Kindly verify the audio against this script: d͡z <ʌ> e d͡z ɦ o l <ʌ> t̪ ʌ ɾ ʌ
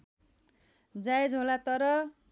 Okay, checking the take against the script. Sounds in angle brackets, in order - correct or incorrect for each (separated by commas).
incorrect, incorrect